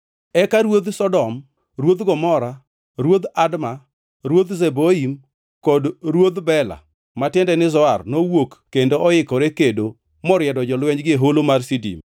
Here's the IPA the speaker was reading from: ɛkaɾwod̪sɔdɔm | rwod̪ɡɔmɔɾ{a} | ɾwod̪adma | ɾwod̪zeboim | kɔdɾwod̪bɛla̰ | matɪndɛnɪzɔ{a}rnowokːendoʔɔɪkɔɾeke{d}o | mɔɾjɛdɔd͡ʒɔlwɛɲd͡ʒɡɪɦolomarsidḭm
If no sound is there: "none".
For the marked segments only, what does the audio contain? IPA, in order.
a, a, d

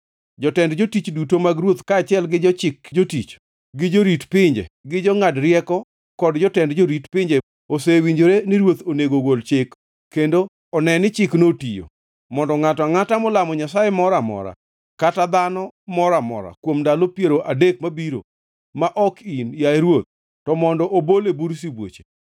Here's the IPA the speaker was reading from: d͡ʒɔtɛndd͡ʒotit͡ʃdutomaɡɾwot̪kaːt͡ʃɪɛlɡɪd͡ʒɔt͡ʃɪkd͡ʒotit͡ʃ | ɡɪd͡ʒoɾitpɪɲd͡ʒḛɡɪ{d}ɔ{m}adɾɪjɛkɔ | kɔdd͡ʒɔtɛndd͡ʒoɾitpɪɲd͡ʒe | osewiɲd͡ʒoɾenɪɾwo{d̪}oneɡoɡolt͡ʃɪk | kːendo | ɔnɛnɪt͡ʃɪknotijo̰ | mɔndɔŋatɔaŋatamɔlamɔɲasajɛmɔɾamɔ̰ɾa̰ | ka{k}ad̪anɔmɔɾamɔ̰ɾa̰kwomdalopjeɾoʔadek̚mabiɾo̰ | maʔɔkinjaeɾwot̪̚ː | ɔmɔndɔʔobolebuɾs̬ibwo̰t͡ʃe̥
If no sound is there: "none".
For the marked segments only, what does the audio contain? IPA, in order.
d͡ʒ, ŋ, t̪, t

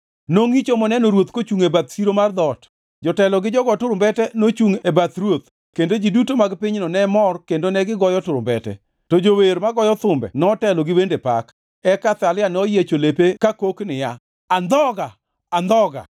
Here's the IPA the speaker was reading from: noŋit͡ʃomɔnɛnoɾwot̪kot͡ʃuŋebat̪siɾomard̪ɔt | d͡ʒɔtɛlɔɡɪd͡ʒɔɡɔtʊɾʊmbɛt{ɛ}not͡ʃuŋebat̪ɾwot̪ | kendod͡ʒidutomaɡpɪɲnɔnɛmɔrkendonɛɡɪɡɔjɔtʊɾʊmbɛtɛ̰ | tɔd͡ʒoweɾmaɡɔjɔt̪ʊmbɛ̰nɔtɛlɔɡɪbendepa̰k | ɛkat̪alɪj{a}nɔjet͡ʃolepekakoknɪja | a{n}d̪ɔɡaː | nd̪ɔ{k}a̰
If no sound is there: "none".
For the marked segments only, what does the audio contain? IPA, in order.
ɛ, a, n, ɡ

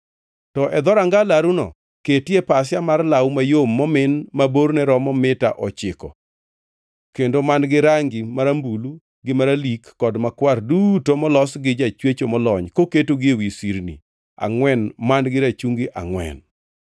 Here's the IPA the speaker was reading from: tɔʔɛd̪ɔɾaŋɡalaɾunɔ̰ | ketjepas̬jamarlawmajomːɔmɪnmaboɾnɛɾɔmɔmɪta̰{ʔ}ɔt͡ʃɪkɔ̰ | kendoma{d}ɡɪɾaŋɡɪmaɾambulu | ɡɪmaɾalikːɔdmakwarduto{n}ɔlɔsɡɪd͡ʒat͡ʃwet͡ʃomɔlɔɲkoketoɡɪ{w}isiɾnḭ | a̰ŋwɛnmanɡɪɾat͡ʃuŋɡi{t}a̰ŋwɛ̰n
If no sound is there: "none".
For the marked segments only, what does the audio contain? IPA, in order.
ʔ, n, m, w, ʔ

